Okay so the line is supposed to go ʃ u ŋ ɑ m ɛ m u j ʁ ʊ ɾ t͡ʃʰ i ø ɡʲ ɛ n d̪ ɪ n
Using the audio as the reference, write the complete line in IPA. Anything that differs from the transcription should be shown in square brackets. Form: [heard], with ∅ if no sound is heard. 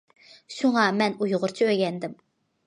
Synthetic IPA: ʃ u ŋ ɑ m ɛ [n] u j ʁ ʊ ɾ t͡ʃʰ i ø ɡʲ ɛ n d̪ ɪ [m]